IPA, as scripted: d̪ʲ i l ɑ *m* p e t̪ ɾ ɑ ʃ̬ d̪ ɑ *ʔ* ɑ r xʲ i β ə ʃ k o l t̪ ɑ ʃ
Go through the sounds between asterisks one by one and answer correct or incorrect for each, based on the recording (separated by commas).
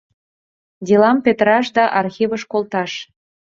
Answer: correct, correct